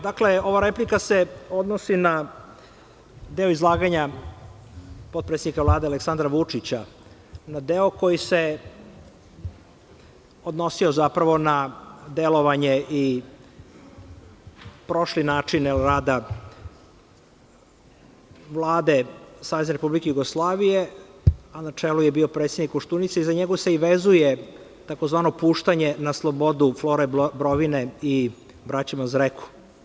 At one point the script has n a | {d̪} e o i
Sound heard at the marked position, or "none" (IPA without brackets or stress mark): d̪